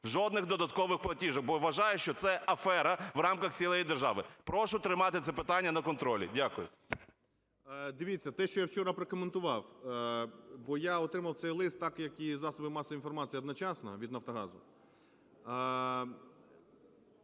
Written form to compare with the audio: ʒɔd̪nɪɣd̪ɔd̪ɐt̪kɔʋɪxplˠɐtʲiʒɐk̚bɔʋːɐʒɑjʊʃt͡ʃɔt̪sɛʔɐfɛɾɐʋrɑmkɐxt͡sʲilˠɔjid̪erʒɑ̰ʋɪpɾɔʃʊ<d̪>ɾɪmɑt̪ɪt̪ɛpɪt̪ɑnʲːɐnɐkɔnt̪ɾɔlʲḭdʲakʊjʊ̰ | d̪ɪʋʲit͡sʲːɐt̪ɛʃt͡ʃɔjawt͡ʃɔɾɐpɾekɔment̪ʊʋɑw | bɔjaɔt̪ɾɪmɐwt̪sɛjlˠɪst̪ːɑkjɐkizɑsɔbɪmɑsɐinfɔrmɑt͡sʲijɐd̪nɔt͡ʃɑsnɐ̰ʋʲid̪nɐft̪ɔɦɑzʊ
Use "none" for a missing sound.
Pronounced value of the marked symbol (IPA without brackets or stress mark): t̪